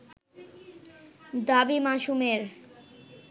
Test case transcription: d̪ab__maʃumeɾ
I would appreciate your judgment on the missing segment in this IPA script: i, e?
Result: i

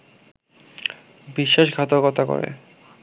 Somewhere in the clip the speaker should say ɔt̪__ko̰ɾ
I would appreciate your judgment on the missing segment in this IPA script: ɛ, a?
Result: a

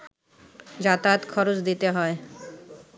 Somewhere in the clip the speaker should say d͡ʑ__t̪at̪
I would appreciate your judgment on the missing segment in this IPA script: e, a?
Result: a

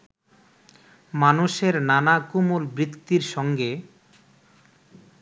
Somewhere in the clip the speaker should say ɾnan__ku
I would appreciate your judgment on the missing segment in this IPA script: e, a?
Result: a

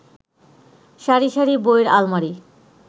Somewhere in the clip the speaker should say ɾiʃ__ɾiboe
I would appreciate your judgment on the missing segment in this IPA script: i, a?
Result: a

